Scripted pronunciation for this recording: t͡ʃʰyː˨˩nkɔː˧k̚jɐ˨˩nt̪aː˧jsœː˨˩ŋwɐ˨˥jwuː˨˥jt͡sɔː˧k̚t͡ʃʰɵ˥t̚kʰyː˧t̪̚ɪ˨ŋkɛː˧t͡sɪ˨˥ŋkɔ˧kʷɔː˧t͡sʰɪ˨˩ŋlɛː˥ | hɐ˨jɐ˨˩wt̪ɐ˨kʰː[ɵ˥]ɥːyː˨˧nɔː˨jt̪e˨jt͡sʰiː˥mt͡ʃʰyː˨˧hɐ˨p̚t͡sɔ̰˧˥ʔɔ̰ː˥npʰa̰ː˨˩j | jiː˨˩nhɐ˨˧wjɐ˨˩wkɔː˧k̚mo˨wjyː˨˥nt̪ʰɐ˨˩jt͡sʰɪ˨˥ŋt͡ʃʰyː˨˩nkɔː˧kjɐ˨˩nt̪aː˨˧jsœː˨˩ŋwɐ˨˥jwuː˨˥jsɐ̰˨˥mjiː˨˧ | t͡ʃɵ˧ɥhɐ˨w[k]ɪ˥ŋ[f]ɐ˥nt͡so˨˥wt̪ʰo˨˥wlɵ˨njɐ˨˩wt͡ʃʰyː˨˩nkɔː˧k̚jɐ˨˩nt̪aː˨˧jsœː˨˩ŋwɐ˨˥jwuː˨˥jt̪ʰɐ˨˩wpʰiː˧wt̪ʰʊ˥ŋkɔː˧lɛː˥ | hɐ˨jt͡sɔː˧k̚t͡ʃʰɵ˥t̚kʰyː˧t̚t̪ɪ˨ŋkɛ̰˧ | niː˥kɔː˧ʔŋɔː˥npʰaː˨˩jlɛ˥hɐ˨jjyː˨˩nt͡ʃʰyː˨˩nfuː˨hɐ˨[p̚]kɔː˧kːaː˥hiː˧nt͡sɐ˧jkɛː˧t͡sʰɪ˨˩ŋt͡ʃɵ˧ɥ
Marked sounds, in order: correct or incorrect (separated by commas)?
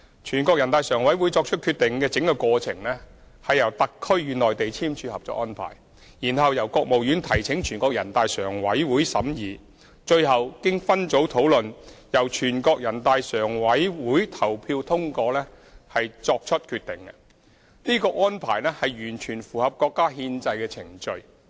correct, correct, correct, correct